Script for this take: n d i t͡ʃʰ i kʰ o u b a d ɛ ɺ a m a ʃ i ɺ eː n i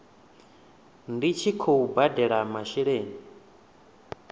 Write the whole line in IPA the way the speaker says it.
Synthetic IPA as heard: n d i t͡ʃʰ i kʰ o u b a d ɛ ɺ a m a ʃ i ɺ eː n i